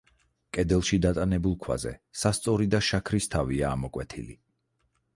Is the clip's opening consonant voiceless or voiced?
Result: voiceless